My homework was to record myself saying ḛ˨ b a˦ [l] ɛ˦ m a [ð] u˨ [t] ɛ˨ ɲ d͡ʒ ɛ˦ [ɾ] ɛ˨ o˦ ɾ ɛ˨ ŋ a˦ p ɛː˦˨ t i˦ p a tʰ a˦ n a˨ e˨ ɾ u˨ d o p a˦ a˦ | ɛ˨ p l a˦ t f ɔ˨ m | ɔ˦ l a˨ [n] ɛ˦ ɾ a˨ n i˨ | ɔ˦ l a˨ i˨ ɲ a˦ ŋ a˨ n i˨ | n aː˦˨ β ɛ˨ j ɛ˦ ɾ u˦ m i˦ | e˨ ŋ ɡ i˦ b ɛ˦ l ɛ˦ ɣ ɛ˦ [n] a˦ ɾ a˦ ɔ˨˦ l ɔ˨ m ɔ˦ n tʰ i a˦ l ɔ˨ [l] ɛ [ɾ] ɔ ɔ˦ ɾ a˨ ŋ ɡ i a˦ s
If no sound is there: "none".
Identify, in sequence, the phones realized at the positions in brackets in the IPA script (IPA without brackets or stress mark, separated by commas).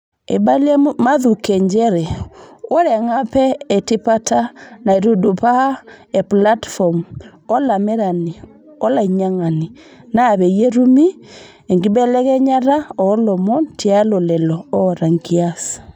l, ð, k, ɾ, m, ɲ, l, l